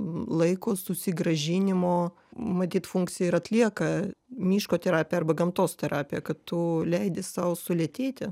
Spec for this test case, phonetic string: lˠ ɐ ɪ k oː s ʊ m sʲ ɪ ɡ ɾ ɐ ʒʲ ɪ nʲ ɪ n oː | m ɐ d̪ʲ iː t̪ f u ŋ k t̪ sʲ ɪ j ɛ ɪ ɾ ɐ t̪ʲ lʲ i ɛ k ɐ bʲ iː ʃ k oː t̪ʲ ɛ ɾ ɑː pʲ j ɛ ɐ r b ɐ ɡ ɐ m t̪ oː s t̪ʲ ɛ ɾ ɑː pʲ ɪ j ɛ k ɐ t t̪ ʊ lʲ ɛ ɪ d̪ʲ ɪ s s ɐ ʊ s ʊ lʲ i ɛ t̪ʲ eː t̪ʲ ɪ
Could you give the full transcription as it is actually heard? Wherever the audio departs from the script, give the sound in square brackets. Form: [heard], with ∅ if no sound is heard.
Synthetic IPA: lˠ ɐ ɪ k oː s ʊ [∅] sʲ ɪ ɡ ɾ ɐ ʒʲ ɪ nʲ ɪ [m] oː | m ɐ [t̪ʲ] iː t̪ f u ŋ k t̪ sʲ ɪ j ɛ ɪ ɾ ɐ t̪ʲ lʲ i ɛ k ɐ [mʲ] iː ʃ k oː t̪ʲ ɛ ɾ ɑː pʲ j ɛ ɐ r b ɐ ɡ ɐ m t̪ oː s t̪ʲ ɛ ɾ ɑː pʲ ɪ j ɛ k ɐ t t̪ ʊ lʲ ɛ ɪ d̪ʲ ɪ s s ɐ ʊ s ʊ lʲ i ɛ t̪ʲ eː t̪ʲ ɪ